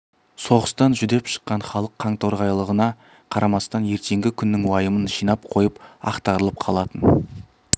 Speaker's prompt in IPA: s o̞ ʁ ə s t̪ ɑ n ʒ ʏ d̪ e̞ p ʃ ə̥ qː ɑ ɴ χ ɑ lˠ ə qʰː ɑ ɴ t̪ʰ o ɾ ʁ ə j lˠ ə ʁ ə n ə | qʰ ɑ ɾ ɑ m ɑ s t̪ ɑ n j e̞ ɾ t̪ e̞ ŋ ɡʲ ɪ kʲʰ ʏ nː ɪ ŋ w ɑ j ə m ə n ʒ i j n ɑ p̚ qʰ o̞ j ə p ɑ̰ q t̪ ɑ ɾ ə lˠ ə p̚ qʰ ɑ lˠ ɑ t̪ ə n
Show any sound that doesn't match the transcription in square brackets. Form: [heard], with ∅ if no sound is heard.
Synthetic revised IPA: s o̞ ʁ ə s t̪ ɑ n ʒ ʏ d̪ e̞ p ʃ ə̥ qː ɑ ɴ χ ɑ lˠ ə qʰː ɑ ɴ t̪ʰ o ɾ ʁ [ɑ] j lˠ ə ʁ ə n [ɑ] | qʰ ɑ ɾ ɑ m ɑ s t̪ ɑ n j e̞ ɾ t̪ e̞ ŋ ɡʲ ɪ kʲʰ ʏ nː ɪ ŋ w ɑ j ə m ə n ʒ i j n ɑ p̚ qʰ o̞ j ə p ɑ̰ q t̪ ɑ ɾ ə lˠ ə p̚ qʰ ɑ lˠ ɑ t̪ ə n